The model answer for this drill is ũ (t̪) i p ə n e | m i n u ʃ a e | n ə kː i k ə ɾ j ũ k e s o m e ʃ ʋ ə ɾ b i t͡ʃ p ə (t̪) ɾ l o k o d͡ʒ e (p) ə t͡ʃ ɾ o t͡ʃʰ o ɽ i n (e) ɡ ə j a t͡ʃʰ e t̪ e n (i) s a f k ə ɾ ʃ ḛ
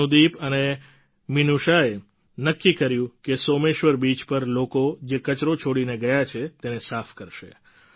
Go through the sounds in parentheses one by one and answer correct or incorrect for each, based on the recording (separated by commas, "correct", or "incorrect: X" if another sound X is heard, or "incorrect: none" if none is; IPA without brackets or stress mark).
incorrect: d̪, incorrect: none, incorrect: k, correct, incorrect: e